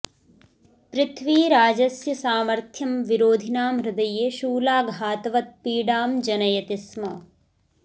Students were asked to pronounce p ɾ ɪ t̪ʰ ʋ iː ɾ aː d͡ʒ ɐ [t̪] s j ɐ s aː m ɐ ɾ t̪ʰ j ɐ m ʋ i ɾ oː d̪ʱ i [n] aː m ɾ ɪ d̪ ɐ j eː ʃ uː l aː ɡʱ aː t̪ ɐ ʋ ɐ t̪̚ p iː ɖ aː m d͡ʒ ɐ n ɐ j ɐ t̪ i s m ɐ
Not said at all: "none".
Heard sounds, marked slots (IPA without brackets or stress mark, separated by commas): none, n